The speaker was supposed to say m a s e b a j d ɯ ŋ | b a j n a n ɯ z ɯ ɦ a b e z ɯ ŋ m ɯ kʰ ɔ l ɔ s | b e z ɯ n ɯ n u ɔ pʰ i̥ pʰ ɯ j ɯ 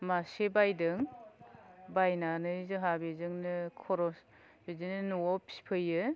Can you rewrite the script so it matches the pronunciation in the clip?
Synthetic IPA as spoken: m a s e b a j d ɯ ŋ | b a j n a n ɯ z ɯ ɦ a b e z ɯ ŋ n ɯ kʰ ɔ ɾ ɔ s | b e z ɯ n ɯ n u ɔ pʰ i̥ pʰ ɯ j ɯ